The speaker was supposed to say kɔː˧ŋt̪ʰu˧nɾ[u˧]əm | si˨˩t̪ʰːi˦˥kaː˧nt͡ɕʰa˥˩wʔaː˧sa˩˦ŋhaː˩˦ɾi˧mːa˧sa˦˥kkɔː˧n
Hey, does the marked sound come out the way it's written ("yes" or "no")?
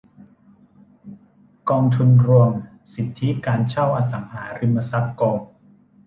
yes